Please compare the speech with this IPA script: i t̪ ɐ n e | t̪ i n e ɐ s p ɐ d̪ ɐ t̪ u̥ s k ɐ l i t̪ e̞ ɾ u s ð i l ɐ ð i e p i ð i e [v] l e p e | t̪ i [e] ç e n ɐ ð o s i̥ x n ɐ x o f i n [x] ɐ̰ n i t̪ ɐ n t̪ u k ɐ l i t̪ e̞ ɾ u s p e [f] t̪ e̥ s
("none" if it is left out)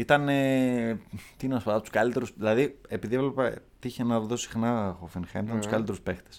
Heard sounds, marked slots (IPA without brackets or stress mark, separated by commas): v, i, x, x